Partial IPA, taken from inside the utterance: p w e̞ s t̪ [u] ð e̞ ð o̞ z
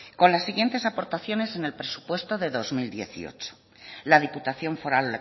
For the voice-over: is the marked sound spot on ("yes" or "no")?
no